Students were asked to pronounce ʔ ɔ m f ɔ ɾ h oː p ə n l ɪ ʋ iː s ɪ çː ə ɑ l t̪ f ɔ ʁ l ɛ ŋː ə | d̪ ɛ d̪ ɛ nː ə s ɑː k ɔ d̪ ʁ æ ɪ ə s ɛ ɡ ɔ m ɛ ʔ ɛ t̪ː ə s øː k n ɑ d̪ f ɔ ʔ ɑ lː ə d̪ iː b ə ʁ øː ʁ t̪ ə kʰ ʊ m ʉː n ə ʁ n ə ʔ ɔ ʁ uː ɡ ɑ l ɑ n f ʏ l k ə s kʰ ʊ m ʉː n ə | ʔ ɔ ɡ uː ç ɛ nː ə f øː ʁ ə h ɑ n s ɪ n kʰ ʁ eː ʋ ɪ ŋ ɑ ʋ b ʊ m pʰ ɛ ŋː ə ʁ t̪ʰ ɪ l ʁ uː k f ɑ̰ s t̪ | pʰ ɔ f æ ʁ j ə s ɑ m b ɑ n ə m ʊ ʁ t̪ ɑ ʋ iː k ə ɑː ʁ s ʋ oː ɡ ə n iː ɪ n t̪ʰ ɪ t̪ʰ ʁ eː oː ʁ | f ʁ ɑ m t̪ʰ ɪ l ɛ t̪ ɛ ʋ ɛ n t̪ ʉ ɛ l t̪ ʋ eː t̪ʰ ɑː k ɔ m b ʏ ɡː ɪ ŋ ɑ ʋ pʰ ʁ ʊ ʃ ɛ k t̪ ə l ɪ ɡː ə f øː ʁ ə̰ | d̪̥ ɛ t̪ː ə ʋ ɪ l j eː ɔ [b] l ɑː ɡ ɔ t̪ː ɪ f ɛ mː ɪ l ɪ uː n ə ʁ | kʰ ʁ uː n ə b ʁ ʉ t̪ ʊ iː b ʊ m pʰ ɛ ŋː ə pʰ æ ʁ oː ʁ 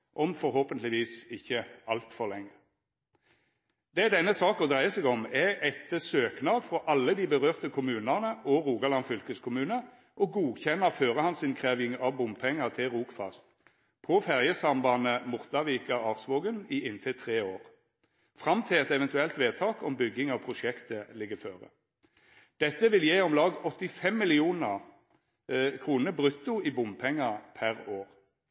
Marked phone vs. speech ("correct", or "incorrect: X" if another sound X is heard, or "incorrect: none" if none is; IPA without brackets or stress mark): incorrect: m